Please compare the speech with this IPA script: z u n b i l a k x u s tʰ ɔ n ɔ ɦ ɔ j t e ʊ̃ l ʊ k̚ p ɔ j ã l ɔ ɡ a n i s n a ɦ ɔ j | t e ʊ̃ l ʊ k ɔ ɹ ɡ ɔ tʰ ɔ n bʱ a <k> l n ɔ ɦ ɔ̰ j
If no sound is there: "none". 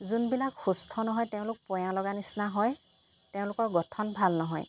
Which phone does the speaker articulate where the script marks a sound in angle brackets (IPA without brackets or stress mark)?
none